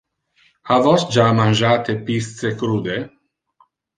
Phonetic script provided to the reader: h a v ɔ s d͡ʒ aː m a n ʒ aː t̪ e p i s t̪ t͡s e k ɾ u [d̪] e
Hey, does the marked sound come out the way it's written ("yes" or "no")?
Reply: yes